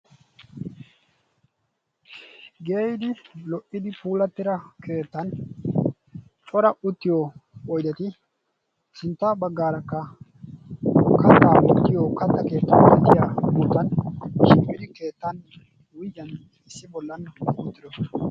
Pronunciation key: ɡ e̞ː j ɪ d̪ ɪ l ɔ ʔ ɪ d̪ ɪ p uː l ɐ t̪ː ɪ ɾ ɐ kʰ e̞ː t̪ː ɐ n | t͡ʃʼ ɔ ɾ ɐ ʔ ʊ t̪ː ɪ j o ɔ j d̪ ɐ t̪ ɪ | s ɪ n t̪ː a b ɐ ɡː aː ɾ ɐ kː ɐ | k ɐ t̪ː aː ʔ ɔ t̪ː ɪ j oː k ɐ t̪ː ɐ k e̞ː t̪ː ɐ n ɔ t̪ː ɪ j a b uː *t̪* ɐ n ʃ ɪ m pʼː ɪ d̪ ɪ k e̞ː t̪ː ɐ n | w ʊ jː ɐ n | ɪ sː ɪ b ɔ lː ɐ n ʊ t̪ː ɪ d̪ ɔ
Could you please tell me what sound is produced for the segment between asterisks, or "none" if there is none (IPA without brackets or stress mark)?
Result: t̪